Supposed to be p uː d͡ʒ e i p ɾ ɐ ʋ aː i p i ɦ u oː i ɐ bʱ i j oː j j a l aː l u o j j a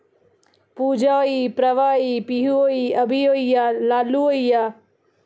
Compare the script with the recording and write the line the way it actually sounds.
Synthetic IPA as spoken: p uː d͡ʒ a i p ɾ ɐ ʋ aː i p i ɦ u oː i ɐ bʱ i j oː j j a l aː l u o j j a